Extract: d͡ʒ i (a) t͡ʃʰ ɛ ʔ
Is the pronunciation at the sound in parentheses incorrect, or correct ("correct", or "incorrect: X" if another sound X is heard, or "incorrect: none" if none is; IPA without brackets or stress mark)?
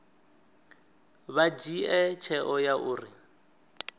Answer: incorrect: ɛ